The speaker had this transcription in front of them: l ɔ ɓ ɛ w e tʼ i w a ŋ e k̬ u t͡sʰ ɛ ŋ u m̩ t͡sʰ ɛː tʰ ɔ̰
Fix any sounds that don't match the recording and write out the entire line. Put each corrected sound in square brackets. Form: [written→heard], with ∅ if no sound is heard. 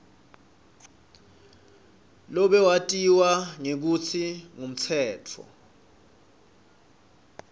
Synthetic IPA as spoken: l ɔ ɓ ɛ w [e→a] tʼ i w a ŋ e k̬ u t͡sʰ [ɛ→i] ŋ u m̩ t͡sʰ ɛː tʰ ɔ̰